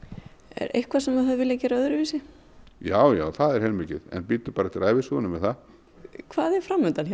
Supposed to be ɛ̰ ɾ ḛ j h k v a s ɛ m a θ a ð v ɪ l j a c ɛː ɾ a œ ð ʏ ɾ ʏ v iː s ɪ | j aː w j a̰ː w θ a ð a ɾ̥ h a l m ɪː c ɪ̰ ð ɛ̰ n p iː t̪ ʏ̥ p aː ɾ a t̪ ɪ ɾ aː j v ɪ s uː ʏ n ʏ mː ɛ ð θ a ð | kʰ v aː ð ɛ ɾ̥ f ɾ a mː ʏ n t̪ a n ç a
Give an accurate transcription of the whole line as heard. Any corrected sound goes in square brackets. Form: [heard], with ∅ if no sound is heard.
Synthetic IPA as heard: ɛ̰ ɾ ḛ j h k v a s ɛ m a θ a ð v ɪ l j a c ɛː ɾ a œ ð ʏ ɾ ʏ v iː s ɪ | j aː w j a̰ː w θ a ð [ɛ] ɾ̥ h [ɛ] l m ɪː c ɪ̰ ð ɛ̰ n p iː t̪ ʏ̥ p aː ɾ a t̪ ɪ ɾ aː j v ɪ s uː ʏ n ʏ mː ɛ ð θ a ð | kʰ v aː ð ɛ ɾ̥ f ɾ a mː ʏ n t̪ a n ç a